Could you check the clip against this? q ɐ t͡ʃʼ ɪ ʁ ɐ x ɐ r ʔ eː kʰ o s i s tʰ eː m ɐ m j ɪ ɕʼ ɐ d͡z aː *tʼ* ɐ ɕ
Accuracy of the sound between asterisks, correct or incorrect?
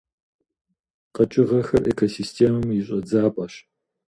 incorrect